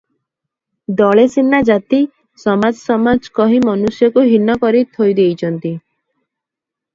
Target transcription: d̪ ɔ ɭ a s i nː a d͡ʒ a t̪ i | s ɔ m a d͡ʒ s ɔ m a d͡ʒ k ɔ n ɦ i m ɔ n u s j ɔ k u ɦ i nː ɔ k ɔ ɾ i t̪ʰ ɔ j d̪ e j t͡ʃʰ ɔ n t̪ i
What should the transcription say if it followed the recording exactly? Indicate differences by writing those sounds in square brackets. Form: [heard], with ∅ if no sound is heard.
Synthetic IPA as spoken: d̪ ɔ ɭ [e] s i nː a d͡ʒ a t̪ i | s ɔ m a d͡ʒ s ɔ m a d͡ʒ k ɔ [∅] ɦ i m ɔ n u s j ɔ k u ɦ i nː ɔ k ɔ ɾ i t̪ʰ [o] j d̪ e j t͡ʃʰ ɔ n t̪ i